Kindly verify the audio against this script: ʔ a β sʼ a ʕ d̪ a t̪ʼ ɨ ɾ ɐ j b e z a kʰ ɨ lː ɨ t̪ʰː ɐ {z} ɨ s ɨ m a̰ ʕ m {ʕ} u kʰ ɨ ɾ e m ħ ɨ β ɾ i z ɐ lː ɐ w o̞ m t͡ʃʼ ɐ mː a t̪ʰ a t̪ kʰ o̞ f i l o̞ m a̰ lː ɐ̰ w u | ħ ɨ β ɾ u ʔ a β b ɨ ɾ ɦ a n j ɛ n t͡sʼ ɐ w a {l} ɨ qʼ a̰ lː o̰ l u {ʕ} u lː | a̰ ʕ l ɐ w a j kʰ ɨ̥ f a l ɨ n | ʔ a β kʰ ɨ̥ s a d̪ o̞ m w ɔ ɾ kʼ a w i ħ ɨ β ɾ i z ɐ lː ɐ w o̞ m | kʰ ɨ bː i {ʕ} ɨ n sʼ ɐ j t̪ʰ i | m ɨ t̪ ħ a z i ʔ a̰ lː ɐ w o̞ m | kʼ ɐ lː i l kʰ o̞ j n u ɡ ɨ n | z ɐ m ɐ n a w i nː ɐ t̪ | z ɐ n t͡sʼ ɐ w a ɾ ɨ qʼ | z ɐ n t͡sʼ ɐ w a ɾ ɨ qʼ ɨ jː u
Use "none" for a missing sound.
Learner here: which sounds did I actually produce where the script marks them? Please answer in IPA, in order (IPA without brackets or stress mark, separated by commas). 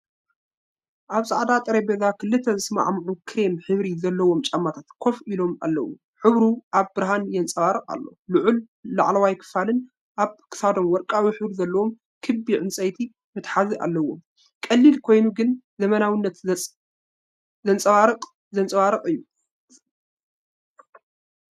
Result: z, ʕ, ɾ, ʕ, ʕ